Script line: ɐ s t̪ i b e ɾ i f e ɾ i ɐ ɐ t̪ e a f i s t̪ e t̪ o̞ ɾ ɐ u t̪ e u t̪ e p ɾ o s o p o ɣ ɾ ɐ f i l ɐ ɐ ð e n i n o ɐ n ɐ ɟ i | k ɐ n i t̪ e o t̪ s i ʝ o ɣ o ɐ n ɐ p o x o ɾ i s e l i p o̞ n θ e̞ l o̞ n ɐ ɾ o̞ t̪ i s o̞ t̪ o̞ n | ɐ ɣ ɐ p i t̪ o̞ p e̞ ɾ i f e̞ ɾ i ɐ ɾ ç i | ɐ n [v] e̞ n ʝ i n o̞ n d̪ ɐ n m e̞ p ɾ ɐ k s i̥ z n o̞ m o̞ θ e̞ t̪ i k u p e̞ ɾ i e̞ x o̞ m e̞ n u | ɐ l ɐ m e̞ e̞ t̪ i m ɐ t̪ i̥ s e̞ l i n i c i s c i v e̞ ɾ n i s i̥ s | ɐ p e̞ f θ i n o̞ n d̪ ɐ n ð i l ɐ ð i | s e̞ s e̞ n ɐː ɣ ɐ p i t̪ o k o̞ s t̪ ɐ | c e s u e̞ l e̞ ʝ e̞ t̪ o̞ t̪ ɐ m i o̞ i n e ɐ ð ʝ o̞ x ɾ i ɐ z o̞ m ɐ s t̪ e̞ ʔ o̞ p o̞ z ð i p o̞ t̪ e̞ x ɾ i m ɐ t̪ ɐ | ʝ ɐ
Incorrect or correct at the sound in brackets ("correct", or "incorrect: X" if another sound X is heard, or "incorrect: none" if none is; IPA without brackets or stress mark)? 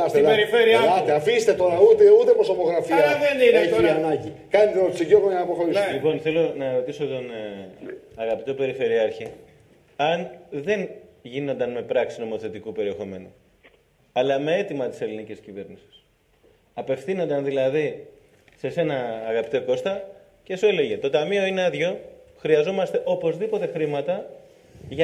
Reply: incorrect: ð